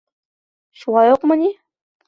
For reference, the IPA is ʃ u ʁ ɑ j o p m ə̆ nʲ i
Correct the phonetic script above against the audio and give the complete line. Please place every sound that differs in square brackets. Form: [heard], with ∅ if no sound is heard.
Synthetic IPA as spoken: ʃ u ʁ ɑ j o [q] m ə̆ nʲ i